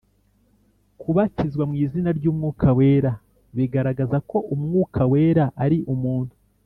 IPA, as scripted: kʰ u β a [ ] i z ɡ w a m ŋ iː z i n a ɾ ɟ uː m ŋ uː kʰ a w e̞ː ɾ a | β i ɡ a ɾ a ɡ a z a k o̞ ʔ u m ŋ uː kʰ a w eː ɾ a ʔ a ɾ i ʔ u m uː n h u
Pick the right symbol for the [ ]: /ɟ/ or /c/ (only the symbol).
c